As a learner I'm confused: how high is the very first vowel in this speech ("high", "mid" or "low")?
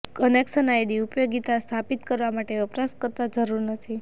mid